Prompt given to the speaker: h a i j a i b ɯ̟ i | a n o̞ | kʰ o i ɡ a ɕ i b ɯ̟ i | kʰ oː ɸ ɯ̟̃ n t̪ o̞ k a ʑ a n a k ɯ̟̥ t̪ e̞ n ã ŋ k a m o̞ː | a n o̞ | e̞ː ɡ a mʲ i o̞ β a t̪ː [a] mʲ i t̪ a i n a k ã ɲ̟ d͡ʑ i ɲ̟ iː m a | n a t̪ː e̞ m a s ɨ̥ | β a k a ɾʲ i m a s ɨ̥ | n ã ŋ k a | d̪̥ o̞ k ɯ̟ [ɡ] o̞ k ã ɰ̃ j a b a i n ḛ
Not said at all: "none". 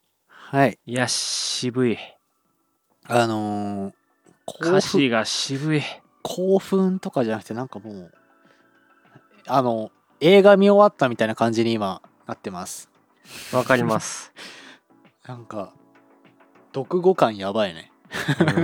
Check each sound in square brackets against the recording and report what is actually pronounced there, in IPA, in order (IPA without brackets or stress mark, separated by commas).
a, ɡ